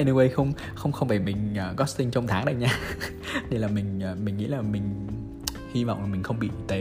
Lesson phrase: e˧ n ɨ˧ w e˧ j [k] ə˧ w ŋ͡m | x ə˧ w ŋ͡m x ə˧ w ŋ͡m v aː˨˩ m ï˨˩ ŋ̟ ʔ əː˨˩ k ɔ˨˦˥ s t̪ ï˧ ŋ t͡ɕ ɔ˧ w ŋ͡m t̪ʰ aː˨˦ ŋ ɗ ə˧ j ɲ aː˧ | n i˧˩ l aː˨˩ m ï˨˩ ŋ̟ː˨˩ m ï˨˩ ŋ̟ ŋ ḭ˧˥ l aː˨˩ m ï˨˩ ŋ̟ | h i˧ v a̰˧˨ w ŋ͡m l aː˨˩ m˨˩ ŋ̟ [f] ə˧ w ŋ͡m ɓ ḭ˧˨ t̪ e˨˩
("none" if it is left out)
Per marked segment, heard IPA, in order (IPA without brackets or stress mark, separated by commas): x, x